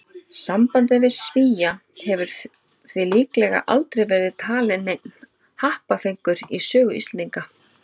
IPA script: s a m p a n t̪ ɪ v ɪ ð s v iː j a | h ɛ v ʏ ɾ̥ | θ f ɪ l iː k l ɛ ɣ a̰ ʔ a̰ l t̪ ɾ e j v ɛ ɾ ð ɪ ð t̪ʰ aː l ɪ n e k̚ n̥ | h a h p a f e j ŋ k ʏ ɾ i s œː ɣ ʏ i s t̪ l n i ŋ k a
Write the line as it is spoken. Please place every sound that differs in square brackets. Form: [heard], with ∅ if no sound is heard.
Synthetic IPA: s a m p a n t̪ ɪ v ɪ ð s v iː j a | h ɛ v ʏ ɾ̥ | θ [v] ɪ l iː k l ɛ ɣ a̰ ʔ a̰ l t̪ ɾ e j v ɛ ɾ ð ɪ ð t̪ʰ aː l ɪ n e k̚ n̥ | h a h p a f e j ŋ k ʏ ɾ i s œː ɣ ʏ i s t̪ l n i ŋ k a

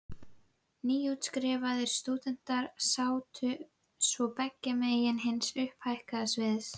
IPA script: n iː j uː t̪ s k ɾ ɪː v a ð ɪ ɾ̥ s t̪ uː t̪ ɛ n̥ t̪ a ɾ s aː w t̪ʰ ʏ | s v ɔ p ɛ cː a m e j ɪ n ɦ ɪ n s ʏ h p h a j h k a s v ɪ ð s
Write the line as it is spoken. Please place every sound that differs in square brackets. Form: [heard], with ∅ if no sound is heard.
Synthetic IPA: n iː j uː t̪ s k ɾ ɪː v a ð ɪ ɾ̥ s t̪ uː t̪ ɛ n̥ t̪ a ɾ s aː w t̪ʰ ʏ | s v ɔ p ɛ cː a m e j ɪ n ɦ ɪ n s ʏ h p h a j h k a s v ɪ ð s

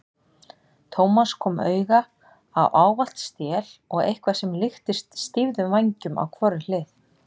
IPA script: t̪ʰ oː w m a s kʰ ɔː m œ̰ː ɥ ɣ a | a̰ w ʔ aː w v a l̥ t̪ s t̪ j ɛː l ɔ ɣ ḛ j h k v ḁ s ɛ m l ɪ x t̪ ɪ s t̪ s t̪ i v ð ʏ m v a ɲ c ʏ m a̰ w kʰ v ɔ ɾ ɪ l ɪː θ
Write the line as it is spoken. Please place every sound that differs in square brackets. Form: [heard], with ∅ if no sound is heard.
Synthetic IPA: t̪ʰ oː w m a s kʰ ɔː m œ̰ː ɥ ɣ a | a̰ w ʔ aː w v a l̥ t̪ s t̪ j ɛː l ɔ ɣ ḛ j h k v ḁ s ɛ m l ɪ x t̪ ɪ s t̪ s t̪ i v ð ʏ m v a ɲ c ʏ m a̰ w kʰ v ɔ ɾ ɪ l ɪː θ

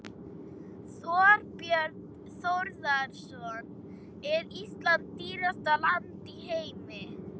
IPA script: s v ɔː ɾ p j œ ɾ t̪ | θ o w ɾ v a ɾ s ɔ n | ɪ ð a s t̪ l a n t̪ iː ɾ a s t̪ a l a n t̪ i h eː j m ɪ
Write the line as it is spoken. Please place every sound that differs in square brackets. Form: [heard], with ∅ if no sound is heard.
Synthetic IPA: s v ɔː ɾ p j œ ɾ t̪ | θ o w ɾ [ð] a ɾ s ɔ n | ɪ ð [i] s t̪ l a n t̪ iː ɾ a s t̪ a l a n t̪ i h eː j m ɪ

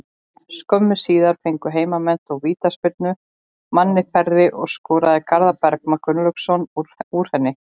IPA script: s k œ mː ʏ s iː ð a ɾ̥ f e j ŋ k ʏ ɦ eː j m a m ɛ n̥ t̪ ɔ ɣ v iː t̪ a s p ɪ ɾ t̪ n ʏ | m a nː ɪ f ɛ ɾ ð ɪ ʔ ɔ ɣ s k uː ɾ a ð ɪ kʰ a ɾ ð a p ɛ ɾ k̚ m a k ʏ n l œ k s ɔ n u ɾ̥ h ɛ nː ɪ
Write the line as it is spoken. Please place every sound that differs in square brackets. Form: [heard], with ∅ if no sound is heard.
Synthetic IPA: s k œ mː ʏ s iː ð a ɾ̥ f e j ŋ k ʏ ɦ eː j m a m ɛ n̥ t̪ ɔ ɣ v iː t̪ a s p ɪ ɾ t̪ n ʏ | m a nː ɪ f ɛ ɾ ð ɪ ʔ ɔ ɣ s k [ɔː] ɾ a ð ɪ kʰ a ɾ ð a p ɛ ɾ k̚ m a k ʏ n l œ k s ɔ n u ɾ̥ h ɛ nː ɪ

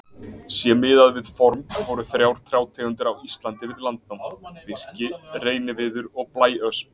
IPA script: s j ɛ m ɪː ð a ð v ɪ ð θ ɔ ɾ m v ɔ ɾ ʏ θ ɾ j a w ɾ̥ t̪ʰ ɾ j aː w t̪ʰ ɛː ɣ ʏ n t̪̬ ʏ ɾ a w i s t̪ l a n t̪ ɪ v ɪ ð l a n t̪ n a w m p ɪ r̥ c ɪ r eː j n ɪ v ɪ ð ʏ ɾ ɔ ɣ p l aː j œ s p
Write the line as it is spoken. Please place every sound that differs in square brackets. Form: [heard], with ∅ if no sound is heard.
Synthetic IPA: s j ɛ m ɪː ð a ð v ɪ ð [f] ɔ ɾ m v ɔ ɾ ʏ θ ɾ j a w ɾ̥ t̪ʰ ɾ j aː w t̪ʰ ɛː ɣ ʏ n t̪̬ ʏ ɾ a w i s t̪ l a n t̪ ɪ v ɪ ð l a n t̪ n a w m p ɪ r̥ c ɪ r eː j n ɪ v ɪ ð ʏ ɾ ɔ ɣ p l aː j œ s p

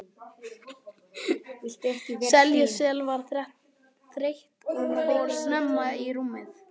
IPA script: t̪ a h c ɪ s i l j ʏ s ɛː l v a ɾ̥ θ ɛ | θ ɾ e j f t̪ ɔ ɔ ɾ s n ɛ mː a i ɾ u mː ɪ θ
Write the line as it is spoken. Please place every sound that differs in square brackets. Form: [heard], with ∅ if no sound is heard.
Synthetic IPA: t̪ [ɛ] h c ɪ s [ɛ] l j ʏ s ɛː l v a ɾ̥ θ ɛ | θ ɾ e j [h] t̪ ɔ ɔ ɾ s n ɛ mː a i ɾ u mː ɪ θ

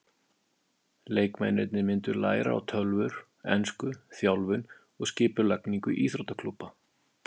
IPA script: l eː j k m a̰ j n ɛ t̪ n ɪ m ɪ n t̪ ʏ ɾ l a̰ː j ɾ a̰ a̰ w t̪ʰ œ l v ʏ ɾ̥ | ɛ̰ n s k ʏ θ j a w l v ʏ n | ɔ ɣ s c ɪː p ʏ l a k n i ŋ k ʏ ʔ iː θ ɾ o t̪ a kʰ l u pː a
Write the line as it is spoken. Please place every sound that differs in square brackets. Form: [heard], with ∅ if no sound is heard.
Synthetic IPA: l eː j k m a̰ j n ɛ t̪ n ɪ m ɪ n t̪ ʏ ɾ l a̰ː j ɾ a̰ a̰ w t̪ʰ œ l v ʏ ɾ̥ | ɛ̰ n s k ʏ θ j a w l v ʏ n | ɔ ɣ s c ɪː p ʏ l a k n i ŋ k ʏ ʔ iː θ ɾ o t̪ a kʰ l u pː a

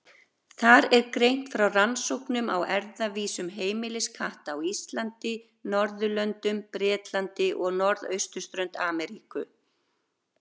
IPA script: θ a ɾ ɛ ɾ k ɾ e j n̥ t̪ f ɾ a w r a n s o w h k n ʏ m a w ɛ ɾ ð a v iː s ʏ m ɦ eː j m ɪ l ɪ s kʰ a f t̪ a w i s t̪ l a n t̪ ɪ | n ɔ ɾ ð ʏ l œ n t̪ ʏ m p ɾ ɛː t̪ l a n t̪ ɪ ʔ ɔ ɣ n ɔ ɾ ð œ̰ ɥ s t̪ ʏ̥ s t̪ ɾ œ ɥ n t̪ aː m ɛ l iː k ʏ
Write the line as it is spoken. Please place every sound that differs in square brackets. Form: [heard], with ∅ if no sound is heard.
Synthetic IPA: θ a ɾ ɛ ɾ k ɾ e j n̥ t̪ f ɾ a w r a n s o w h k n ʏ m a w ɛ ɾ ð a v iː s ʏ m ɦ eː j m ɪ l ɪ s kʰ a [h] t̪ a w i s t̪ l a n t̪ ɪ | n ɔ ɾ ð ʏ l œ n t̪ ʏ m p ɾ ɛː t̪ l a n t̪ ɪ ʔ ɔ ɣ n ɔ ɾ ð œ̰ ɥ s t̪ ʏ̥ s t̪ ɾ œ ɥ n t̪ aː m ɛ [ɾ] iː k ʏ

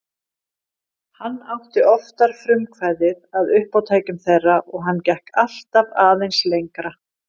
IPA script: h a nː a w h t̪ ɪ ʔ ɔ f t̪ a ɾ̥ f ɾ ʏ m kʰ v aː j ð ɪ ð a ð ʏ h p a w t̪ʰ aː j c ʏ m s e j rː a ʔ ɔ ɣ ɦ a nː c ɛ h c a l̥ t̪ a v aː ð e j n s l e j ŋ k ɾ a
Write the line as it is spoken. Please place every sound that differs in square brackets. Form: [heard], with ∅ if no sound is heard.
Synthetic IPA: h a nː a w h t̪ ɪ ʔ ɔ f t̪ a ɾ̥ f ɾ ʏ m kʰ v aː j ð ɪ ð a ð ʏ h p a w t̪ʰ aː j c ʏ m [θ] e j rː a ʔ ɔ ɣ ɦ a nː c ɛ h [k] a l̥ t̪ a v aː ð e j n s l e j ŋ k ɾ a

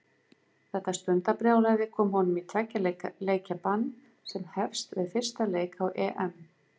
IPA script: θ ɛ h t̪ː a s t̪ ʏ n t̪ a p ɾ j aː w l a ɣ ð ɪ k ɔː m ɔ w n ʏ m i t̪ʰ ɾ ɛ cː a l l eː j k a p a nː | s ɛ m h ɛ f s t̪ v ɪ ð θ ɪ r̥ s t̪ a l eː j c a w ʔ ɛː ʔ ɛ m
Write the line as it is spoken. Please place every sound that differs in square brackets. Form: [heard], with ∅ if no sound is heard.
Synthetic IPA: θ ɛ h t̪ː a s t̪ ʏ n t̪ a p ɾ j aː w l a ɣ ð ɪ [kʰ] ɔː m ɔ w n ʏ m i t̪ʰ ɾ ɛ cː a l l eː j [c] a p a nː | s ɛ m h ɛ f s t̪ v ɪ ð [f] ɪ r̥ s t̪ a l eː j [k] a w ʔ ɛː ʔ ɛ m

